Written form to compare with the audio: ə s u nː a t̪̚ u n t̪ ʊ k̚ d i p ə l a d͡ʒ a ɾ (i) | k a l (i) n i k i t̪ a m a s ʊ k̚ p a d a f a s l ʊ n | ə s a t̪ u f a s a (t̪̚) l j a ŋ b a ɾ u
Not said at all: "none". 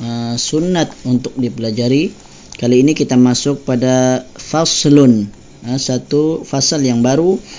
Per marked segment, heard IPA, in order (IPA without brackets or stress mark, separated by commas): i, iː, none